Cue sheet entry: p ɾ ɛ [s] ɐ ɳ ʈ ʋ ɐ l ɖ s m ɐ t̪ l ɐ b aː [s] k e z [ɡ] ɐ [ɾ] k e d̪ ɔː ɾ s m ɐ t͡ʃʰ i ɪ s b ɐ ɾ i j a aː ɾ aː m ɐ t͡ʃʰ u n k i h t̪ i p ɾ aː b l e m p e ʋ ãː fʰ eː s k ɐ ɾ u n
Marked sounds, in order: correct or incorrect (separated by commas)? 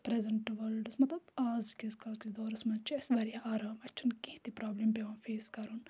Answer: incorrect, incorrect, incorrect, incorrect